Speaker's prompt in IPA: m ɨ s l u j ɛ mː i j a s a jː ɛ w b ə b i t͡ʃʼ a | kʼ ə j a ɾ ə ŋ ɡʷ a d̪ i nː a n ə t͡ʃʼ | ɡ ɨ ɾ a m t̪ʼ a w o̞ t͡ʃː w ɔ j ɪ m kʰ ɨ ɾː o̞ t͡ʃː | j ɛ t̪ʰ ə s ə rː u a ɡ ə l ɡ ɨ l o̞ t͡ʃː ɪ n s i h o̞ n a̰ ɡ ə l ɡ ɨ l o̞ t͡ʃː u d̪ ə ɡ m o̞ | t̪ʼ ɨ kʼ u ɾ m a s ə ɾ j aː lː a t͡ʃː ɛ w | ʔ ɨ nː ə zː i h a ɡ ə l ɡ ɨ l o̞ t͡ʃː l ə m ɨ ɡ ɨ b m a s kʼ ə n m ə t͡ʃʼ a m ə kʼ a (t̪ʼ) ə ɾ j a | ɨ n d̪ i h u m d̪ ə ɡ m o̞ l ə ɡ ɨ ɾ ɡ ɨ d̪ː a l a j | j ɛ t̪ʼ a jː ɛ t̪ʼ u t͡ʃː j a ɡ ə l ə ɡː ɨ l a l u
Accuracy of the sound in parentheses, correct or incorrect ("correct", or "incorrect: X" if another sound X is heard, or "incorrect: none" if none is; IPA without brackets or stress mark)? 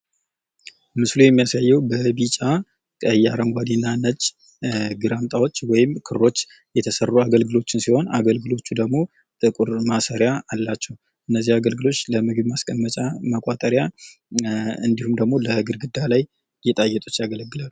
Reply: correct